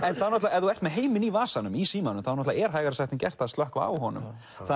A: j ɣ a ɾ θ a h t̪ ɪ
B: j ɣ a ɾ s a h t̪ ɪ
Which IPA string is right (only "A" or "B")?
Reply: B